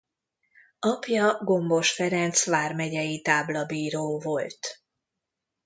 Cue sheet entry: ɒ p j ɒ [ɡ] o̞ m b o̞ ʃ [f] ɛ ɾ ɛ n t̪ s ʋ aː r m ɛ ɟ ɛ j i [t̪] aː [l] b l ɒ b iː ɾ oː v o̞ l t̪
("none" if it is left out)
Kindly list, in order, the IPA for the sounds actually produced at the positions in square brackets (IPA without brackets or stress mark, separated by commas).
ɡ, f, t̪, none